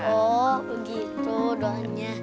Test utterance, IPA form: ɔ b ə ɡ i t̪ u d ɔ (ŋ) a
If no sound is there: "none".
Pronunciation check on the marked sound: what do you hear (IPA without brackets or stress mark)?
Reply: ɲ